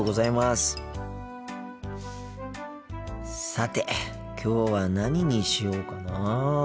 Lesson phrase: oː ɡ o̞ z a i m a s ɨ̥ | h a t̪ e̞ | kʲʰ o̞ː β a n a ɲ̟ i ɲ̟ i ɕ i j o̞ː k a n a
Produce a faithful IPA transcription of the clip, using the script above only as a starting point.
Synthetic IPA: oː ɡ o̞ z a i m a s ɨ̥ | s a t̪ e̞ | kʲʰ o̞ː β a n a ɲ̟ i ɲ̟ i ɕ i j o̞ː k a n a